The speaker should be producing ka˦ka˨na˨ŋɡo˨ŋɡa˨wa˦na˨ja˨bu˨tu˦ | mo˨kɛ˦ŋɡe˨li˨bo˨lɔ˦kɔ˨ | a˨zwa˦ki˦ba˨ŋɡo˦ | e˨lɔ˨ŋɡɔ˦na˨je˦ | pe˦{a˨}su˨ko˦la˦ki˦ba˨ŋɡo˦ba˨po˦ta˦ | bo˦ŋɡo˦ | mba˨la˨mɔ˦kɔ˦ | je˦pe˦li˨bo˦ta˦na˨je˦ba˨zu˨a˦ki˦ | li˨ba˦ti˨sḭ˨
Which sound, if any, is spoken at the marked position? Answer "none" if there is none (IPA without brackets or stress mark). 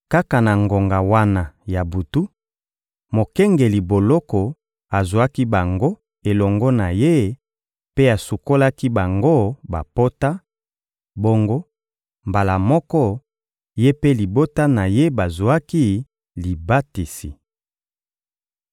a˨